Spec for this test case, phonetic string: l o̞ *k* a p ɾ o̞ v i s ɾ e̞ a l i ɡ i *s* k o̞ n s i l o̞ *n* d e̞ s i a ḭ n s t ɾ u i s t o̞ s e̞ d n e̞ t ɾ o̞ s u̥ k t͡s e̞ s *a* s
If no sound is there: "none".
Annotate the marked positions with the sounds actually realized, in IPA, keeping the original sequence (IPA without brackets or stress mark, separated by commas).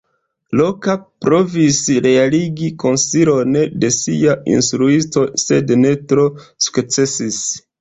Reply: k, none, n, i